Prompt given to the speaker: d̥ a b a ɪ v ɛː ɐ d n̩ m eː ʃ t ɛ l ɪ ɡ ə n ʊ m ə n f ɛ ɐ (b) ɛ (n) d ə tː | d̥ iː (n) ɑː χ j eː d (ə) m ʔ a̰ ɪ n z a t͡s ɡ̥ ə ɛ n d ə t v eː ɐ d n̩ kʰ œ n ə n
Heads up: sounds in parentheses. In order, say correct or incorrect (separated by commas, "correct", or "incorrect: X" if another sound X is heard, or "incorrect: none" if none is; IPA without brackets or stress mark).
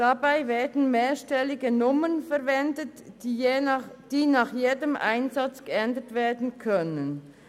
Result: incorrect: v, correct, correct, correct